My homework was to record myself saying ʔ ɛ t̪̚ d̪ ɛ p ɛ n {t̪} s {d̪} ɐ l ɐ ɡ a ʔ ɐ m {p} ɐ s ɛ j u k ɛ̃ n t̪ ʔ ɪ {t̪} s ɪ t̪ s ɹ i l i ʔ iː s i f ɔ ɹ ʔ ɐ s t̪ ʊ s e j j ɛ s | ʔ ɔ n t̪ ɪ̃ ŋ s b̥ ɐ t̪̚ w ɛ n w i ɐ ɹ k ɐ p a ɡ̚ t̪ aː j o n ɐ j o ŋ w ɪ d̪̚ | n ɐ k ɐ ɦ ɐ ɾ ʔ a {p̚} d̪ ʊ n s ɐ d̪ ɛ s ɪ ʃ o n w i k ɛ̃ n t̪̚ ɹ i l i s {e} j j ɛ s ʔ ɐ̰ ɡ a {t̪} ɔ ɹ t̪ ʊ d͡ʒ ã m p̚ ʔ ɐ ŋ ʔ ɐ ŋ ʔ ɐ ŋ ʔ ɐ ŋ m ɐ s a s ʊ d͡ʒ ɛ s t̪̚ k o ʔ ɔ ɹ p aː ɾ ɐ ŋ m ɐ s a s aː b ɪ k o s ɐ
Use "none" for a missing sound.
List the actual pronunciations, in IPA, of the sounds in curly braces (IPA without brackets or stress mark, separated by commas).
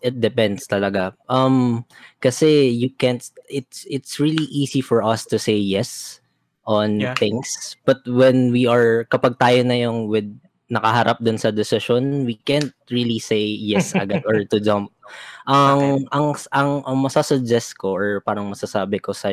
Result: d̪, t̪, k, t̪, p̚, e, d̪